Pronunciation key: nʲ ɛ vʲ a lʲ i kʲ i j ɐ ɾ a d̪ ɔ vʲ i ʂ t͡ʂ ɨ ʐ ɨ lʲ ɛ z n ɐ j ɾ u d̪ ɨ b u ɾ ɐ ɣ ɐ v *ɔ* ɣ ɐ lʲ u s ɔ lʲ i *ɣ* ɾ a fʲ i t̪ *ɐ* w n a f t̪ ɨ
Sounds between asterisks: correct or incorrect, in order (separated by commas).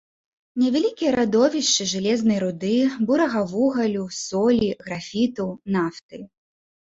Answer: incorrect, correct, correct